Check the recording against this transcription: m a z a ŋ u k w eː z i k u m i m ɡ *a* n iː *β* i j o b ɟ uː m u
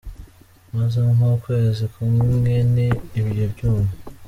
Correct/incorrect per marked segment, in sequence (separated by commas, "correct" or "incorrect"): incorrect, correct